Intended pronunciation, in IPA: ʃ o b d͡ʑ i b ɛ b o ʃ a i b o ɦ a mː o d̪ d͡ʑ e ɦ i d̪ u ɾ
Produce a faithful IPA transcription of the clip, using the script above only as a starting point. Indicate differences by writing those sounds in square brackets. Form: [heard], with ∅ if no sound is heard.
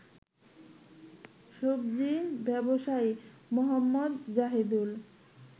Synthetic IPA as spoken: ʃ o b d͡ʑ i b ɛ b o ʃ a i [m] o ɦ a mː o d̪ d͡ʑ [a] ɦ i d̪ u [l]